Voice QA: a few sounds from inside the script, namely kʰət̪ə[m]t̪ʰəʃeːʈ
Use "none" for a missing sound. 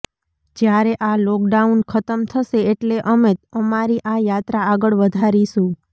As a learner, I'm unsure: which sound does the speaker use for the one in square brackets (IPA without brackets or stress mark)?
m